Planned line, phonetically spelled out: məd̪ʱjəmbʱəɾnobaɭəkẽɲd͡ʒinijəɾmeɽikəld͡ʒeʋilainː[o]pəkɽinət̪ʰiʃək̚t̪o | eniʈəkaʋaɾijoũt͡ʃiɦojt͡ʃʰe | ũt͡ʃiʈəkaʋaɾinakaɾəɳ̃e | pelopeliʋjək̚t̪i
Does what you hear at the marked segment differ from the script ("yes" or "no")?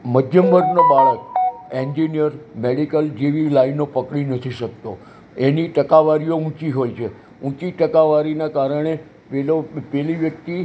no